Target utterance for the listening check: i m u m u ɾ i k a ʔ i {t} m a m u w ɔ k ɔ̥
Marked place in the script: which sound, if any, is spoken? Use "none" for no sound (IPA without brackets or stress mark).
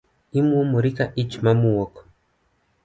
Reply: t͡ʃ